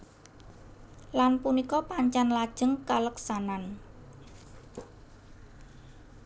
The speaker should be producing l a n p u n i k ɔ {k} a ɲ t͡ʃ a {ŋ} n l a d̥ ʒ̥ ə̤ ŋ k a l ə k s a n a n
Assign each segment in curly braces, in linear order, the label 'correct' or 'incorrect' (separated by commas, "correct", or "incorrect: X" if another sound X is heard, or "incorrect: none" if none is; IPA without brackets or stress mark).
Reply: incorrect: p, incorrect: none